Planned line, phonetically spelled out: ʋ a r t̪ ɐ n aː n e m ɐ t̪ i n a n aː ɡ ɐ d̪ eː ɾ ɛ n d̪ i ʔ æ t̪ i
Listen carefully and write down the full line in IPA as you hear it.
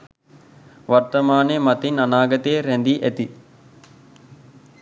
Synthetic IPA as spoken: ʋ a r t̪ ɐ m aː n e m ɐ t̪ i n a n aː ɡ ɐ t̪ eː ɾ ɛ n d̪ i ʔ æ t̪ i